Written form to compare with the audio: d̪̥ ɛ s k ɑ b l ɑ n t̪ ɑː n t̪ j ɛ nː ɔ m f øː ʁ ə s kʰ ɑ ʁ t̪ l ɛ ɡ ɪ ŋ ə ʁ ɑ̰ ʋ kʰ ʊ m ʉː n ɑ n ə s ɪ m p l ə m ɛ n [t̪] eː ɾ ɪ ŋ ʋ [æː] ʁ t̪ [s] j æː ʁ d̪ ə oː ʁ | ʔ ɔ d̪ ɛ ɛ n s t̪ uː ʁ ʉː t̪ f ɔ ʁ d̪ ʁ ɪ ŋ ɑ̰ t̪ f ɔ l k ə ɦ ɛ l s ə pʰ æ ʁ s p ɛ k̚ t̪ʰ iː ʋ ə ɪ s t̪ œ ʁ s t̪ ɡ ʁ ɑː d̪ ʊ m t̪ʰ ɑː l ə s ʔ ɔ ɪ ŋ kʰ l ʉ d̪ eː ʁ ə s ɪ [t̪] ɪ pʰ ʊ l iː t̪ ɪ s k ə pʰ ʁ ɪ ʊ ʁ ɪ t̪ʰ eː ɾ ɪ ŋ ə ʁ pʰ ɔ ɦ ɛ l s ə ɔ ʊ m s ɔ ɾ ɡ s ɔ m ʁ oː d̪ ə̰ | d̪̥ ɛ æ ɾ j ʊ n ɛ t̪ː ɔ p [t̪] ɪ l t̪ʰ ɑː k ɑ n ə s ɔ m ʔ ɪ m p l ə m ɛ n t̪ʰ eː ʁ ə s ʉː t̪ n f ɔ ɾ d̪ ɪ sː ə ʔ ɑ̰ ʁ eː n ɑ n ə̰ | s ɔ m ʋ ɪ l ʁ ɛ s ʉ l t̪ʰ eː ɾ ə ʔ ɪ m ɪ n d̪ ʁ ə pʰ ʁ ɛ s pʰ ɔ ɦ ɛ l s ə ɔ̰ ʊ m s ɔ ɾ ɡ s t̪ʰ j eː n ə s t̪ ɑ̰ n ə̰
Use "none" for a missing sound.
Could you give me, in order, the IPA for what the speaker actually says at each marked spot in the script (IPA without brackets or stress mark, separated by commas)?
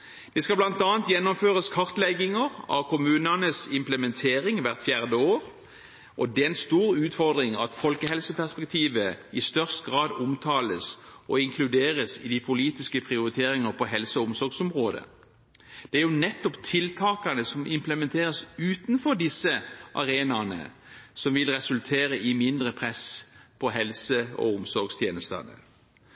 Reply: t̪ʰ, æ, f, d̪, t̪ʰ